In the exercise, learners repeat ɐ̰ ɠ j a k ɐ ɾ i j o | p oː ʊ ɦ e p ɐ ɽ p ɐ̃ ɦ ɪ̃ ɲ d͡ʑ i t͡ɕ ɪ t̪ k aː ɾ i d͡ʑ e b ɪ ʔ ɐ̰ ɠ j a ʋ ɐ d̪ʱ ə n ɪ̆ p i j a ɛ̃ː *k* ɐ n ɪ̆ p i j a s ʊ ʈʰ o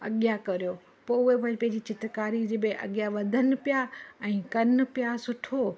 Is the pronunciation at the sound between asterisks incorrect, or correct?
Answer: correct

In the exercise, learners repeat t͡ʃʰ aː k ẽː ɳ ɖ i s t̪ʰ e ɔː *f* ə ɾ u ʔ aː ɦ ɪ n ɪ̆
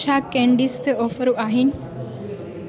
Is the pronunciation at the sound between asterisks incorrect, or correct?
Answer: correct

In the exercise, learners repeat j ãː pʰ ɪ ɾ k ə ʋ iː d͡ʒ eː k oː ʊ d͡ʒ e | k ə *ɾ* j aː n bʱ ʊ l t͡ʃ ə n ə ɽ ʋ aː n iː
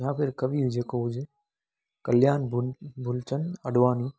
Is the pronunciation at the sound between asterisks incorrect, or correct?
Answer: incorrect: l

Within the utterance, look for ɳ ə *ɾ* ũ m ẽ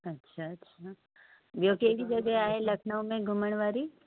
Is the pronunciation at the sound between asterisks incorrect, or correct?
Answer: incorrect: none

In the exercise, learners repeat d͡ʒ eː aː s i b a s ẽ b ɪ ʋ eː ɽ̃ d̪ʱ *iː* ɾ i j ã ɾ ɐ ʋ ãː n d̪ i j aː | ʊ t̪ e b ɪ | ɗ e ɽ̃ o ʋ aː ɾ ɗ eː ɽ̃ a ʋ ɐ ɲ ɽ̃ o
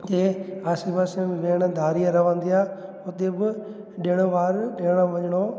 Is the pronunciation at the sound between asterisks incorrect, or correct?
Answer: incorrect: aː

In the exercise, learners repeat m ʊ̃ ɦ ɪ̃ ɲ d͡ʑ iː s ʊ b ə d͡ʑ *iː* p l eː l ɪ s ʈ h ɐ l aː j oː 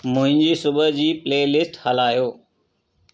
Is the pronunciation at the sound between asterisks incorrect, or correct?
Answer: correct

